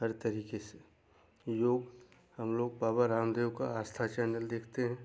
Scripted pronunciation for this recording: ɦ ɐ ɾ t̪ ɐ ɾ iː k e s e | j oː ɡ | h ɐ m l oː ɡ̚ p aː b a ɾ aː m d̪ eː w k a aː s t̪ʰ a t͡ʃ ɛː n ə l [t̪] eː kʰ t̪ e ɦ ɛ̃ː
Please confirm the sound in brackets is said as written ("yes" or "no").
no